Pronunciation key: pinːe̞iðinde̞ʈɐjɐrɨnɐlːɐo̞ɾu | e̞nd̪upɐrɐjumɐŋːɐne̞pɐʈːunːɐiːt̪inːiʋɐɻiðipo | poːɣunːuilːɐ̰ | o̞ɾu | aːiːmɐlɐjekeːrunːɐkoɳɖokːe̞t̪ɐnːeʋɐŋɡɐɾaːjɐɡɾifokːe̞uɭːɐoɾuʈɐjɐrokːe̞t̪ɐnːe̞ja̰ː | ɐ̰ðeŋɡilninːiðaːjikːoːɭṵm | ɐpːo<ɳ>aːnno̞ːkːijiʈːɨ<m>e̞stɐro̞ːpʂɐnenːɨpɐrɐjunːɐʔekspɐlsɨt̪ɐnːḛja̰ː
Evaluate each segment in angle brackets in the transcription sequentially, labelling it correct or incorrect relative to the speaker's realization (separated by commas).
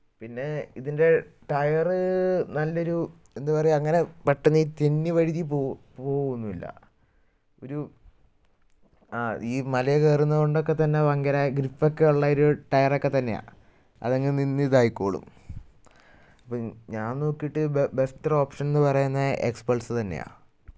incorrect, incorrect